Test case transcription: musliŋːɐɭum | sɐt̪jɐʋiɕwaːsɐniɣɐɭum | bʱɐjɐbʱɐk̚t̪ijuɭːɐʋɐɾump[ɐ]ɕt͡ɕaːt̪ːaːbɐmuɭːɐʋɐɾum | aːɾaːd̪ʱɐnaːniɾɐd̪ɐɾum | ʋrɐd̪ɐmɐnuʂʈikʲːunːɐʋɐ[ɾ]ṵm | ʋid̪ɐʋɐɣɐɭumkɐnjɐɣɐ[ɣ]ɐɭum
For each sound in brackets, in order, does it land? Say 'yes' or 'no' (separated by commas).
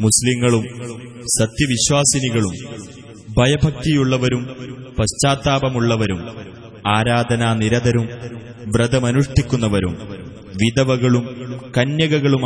yes, yes, yes